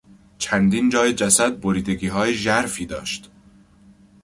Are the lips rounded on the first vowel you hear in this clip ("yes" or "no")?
no